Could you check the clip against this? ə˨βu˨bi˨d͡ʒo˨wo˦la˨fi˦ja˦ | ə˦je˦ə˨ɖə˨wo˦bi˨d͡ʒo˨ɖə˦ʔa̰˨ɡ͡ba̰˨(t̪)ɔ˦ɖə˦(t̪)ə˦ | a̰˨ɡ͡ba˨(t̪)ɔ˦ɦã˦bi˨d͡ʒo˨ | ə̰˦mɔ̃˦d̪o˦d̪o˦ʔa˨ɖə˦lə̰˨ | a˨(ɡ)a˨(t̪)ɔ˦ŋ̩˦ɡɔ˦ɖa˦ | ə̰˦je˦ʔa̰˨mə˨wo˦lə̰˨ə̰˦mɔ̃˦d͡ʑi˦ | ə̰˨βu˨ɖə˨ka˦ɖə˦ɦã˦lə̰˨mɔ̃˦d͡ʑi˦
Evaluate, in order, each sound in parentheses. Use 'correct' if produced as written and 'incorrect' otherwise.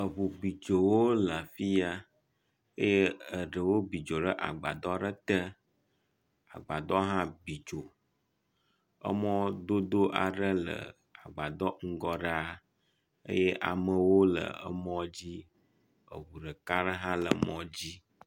incorrect, correct, incorrect, incorrect, incorrect

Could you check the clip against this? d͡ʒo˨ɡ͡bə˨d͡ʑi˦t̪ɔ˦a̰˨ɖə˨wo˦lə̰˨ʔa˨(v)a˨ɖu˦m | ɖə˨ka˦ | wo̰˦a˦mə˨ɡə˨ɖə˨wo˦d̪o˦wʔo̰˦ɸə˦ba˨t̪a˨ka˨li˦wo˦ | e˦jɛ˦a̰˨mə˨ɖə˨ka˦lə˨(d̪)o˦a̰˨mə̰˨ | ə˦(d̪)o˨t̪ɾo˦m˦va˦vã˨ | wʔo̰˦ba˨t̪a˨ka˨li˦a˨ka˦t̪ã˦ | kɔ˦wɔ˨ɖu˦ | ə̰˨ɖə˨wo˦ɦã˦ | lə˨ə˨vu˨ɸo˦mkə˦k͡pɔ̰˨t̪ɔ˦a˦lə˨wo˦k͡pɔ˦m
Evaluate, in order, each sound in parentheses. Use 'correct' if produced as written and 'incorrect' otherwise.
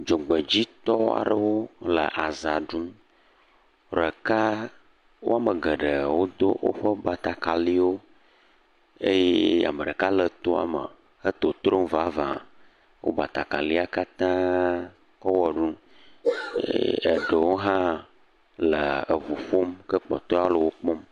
incorrect, incorrect, incorrect

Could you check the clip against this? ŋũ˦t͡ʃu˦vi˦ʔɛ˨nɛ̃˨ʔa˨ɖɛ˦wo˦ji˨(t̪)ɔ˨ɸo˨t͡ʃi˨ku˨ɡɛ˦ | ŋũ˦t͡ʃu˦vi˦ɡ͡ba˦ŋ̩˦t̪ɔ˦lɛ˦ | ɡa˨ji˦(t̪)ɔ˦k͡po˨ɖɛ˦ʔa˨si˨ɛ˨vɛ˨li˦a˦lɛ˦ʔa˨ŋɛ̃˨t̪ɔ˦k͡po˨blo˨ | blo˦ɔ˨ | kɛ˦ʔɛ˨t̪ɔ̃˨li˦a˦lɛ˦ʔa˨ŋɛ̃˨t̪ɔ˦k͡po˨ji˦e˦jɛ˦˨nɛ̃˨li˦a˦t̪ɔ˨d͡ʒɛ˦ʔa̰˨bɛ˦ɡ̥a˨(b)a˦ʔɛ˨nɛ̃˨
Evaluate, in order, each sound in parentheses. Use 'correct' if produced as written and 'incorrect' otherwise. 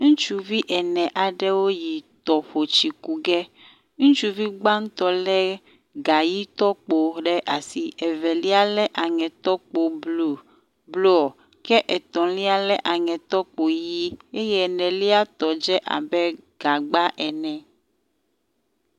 correct, correct, incorrect

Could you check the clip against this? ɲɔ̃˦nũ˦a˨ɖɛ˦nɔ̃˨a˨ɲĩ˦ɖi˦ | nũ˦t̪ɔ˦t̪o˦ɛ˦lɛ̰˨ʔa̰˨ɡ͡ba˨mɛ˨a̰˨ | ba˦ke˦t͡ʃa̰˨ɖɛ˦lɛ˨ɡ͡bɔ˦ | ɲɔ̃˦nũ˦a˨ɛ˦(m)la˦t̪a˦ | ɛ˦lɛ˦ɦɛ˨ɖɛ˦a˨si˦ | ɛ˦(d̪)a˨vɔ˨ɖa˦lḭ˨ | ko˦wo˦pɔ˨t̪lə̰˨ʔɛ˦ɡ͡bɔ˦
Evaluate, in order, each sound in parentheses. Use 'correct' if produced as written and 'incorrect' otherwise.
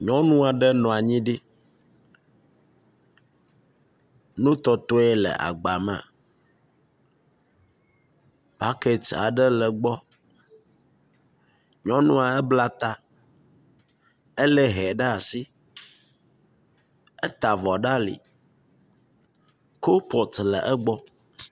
incorrect, incorrect

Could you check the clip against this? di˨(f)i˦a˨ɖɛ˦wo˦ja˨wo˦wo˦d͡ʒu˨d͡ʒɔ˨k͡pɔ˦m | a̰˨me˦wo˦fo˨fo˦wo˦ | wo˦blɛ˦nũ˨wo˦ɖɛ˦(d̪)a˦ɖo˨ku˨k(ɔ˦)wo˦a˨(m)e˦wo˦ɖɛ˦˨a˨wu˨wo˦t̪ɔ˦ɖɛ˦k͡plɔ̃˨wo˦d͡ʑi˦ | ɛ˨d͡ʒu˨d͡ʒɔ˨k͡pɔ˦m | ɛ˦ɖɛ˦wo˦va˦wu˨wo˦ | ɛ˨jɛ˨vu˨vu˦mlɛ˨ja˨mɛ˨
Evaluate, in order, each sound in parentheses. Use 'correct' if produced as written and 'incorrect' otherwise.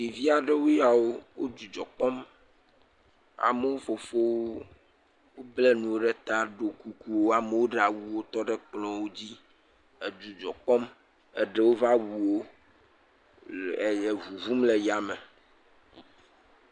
incorrect, incorrect, incorrect, correct

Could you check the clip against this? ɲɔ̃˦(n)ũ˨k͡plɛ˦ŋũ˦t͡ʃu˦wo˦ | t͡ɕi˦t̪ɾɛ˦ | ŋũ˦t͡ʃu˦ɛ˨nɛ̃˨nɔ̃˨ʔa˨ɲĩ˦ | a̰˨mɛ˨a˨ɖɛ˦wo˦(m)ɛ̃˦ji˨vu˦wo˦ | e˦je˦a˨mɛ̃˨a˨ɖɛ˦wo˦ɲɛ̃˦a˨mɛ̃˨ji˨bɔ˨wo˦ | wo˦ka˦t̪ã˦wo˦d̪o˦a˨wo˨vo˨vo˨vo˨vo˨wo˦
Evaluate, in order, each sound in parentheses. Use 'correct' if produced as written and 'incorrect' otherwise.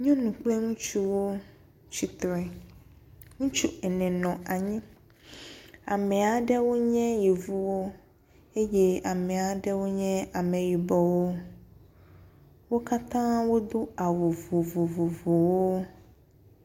correct, incorrect

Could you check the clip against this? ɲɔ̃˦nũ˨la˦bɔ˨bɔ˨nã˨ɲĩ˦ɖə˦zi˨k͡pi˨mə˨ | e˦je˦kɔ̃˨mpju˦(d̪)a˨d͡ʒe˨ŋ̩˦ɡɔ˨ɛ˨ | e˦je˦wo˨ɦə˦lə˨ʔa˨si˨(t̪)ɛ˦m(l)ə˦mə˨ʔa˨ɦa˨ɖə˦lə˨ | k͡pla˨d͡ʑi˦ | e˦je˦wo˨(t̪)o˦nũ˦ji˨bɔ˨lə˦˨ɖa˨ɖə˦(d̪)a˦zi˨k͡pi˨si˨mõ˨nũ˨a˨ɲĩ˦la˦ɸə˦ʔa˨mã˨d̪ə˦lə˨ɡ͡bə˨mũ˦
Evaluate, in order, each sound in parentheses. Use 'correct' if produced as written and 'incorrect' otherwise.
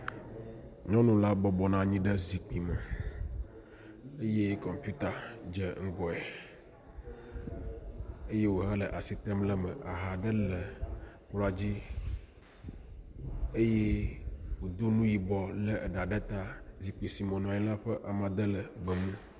incorrect, correct, correct, incorrect, incorrect

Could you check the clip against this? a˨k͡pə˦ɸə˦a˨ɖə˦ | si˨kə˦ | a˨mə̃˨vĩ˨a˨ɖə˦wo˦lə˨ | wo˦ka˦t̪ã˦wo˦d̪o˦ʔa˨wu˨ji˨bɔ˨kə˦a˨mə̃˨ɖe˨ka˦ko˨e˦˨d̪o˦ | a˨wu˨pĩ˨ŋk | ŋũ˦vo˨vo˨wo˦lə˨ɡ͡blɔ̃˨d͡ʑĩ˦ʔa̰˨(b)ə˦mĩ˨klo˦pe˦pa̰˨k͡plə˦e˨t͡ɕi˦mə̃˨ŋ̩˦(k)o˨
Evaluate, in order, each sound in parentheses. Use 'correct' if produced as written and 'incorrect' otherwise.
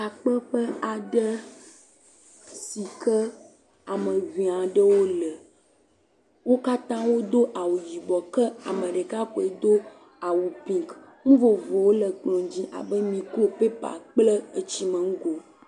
correct, incorrect

